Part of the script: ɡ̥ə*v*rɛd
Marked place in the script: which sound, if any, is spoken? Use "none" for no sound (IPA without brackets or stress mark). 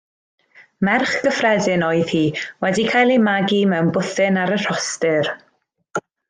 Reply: f